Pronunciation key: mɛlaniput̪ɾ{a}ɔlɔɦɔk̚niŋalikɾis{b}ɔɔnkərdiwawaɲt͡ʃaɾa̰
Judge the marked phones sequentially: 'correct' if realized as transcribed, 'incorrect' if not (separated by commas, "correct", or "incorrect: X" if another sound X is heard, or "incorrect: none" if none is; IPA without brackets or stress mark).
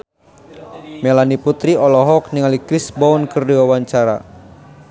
incorrect: i, correct